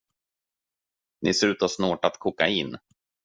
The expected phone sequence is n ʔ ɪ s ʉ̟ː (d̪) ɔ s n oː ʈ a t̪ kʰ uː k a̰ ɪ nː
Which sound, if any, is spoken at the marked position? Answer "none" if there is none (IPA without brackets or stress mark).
t̪